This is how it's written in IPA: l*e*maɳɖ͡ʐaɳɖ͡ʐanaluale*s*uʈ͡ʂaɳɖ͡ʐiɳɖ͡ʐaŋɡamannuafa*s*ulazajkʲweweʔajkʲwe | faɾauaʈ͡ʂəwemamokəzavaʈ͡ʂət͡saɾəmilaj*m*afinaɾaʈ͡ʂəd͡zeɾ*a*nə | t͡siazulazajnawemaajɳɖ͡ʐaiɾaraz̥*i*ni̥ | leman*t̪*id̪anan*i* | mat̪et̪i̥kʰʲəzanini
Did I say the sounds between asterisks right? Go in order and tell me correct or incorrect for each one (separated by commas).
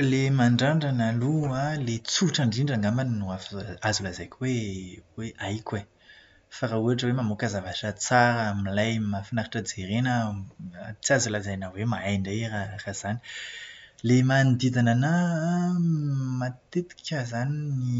correct, incorrect, incorrect, correct, incorrect, incorrect, incorrect, incorrect